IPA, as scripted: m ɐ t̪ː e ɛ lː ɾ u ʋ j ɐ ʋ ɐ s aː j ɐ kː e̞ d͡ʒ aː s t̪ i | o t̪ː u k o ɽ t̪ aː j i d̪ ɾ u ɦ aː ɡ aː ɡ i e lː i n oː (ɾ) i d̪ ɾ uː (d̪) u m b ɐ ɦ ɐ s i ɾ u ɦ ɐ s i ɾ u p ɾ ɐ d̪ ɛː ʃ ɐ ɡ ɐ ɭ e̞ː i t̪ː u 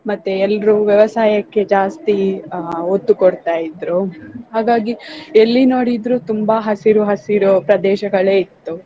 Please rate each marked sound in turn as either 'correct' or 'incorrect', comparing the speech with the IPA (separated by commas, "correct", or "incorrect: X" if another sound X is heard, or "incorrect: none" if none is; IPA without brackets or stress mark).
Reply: incorrect: ɽ, incorrect: t̪